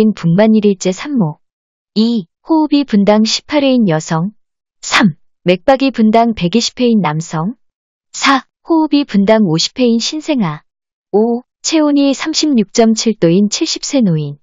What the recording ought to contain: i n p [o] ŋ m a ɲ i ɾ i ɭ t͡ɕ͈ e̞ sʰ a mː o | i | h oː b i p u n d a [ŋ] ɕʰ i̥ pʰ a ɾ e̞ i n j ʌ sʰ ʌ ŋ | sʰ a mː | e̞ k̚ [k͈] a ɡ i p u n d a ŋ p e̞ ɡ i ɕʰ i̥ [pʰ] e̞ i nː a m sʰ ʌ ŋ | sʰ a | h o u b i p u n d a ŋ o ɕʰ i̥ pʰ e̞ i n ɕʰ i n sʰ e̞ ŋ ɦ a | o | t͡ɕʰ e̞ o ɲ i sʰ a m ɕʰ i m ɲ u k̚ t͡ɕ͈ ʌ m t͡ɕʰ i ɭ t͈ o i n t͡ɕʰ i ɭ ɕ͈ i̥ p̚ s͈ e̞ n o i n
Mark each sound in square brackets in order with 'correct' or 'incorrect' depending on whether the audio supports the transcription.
incorrect, correct, incorrect, correct

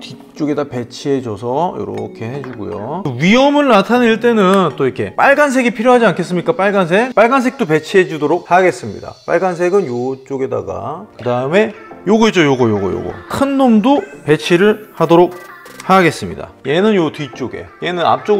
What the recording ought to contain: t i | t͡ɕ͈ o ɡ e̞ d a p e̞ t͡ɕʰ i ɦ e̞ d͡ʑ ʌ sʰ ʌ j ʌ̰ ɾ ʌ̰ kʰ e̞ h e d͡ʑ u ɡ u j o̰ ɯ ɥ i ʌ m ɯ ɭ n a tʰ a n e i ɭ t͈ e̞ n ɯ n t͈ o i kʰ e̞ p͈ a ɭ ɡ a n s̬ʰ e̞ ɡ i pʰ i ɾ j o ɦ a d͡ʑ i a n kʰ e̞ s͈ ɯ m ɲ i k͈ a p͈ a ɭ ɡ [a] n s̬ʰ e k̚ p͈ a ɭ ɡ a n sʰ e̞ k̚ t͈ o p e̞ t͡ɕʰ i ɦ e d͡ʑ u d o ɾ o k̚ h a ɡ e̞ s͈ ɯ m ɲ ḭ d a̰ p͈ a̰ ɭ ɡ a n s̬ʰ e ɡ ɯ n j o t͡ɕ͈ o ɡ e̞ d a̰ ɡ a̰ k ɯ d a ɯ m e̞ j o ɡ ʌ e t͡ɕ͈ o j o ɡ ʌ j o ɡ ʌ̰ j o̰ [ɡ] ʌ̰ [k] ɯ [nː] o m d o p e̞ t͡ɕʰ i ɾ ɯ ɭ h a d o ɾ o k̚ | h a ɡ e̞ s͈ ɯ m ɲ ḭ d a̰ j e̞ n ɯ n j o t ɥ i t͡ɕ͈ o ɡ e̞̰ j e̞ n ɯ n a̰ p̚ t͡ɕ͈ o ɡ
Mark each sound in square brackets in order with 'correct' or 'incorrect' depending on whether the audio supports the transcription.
correct, correct, incorrect, correct

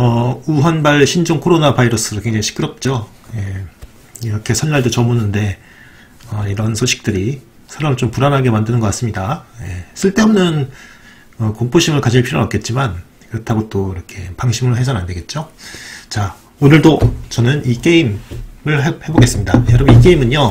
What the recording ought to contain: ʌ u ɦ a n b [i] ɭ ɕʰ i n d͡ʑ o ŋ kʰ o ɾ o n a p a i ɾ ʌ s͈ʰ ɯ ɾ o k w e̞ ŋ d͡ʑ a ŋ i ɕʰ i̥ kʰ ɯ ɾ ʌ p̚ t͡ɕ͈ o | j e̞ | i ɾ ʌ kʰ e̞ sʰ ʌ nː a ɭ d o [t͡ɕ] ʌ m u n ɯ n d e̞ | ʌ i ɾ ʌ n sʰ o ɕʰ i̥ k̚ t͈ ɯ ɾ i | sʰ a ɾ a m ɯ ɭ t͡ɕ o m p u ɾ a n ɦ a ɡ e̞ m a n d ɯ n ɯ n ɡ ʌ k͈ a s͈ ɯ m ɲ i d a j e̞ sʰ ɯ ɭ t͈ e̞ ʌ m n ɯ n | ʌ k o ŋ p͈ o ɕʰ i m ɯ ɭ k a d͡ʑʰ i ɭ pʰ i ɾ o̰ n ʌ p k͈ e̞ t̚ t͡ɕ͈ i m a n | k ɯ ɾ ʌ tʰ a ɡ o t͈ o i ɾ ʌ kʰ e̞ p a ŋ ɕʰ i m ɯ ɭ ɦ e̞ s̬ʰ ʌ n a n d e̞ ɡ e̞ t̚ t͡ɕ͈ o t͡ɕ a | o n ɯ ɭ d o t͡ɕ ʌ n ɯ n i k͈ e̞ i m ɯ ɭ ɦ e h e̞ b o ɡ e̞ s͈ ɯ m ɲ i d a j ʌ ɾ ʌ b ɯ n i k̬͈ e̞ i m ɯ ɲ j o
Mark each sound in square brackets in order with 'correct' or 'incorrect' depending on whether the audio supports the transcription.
incorrect, correct

